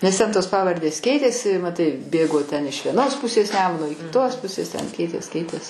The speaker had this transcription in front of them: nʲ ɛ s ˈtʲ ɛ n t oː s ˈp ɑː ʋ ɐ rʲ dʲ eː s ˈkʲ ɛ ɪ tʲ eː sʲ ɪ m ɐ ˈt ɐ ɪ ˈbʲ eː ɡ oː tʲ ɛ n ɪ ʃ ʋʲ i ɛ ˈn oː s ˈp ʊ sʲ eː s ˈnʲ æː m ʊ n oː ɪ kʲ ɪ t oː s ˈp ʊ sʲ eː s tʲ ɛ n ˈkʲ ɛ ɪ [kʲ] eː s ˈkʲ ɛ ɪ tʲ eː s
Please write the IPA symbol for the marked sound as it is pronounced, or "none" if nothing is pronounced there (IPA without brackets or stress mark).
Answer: tʲ